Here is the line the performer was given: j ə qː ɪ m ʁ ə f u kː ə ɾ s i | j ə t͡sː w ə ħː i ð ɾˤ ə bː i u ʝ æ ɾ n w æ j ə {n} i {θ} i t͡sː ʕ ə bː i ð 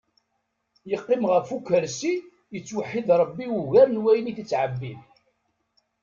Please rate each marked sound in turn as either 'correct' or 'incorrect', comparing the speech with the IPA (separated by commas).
correct, correct